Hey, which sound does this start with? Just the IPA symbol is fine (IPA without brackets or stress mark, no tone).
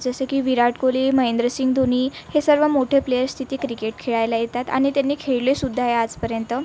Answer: d͡z